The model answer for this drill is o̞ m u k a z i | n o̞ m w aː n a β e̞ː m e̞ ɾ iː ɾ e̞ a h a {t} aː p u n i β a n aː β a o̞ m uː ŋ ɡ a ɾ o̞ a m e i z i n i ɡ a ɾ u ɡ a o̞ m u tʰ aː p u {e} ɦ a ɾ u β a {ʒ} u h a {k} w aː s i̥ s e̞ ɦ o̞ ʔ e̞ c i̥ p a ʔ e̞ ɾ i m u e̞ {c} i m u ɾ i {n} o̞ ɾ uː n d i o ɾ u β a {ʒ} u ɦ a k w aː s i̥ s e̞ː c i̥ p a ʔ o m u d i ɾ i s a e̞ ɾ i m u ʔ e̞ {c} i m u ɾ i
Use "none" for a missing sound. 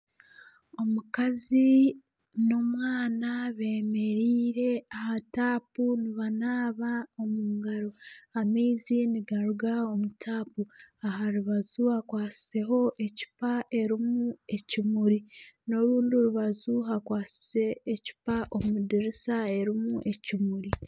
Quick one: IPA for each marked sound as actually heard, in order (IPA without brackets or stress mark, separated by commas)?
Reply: t, a, z, k, c, n, z, c